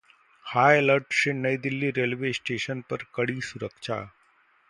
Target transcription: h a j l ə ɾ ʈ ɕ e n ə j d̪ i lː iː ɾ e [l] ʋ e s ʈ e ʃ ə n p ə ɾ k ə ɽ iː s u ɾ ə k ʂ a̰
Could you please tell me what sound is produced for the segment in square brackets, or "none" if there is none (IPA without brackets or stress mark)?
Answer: l